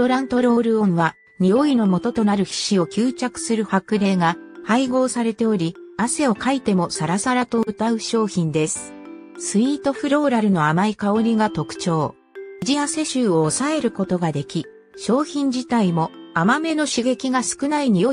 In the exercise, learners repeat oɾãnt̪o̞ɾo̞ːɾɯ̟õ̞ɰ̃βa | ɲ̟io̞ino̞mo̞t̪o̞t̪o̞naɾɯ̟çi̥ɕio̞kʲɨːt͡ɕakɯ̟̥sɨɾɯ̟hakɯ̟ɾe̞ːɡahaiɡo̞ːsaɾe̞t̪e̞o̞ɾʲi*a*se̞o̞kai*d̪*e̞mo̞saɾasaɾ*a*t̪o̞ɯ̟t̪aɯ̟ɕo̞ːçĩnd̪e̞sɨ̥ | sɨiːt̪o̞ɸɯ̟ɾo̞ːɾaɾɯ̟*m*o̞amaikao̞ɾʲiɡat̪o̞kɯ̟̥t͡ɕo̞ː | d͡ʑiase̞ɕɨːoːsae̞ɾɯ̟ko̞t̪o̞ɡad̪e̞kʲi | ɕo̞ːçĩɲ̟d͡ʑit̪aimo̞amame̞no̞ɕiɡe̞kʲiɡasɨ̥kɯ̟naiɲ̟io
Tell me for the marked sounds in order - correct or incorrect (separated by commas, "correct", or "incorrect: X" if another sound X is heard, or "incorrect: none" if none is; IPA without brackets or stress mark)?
correct, incorrect: t̪, correct, incorrect: n